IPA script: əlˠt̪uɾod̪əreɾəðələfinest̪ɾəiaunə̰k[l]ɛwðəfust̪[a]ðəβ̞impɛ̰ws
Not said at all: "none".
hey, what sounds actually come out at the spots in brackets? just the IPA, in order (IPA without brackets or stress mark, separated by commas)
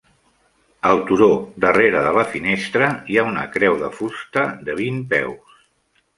ɾ, ə